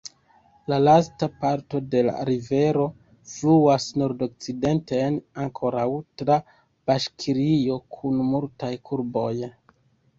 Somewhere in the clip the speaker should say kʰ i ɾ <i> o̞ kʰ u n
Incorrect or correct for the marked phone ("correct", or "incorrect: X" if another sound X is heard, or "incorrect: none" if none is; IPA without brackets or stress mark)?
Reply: correct